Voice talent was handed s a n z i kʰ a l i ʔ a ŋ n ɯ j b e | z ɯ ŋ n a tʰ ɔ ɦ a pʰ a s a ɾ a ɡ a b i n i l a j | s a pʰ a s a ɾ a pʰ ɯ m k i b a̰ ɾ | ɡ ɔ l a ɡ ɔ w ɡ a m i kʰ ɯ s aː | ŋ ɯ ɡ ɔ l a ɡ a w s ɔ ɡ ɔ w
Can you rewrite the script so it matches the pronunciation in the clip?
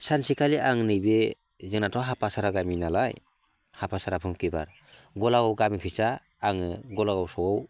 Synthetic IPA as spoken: s a n s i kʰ a l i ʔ a ŋ n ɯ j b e | z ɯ ŋ n a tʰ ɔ ɦ a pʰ a s a ɾ a ɡ a m i n a l a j | h a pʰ a s a ɾ a pʰ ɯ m k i b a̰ ɾ | ɡ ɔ l a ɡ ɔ w ɡ a m i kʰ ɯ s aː | ŋ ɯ ɡ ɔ l a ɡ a w s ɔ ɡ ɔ w